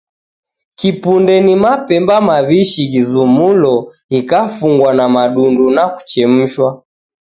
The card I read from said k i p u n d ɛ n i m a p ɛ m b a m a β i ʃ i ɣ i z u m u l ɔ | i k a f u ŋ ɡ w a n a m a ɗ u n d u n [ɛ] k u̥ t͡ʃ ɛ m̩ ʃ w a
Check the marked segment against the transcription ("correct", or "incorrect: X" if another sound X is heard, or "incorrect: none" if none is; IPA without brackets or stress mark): incorrect: a